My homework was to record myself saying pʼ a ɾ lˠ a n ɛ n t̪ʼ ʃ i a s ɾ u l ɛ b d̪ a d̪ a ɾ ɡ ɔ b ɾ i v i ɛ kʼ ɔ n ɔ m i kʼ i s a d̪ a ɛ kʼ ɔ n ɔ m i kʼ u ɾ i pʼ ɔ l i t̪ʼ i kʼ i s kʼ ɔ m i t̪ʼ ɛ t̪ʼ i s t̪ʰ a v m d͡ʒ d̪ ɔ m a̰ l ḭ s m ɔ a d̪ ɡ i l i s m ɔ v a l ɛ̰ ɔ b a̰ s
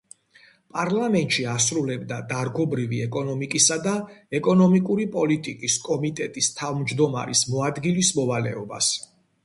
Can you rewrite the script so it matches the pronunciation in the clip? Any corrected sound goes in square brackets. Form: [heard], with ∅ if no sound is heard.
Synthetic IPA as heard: pʼ a ɾ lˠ a [m] ɛ n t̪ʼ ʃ i a s ɾ u l ɛ b d̪ a d̪ a ɾ ɡ ɔ b ɾ i v i ɛ kʼ ɔ n ɔ m i kʼ i s a d̪ a ɛ kʼ ɔ n ɔ m i kʼ u ɾ i pʼ ɔ l i t̪ʼ i kʼ i s kʼ ɔ m i t̪ʼ ɛ t̪ʼ i s t̪ʰ a v m d͡ʒ d̪ ɔ m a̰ [ɾ] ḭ s m ɔ a d̪ ɡ i l i s m ɔ v a l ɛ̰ ɔ b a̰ s